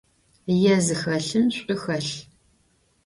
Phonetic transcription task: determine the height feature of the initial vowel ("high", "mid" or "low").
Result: mid